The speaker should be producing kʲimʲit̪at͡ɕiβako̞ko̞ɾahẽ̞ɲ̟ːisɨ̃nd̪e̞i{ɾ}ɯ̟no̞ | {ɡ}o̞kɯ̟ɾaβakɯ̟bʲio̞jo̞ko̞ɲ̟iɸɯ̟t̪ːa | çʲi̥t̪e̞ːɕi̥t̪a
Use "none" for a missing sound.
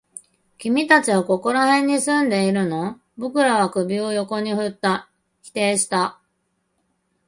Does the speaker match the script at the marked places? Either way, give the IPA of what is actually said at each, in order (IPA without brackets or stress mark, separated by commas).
ɾ, b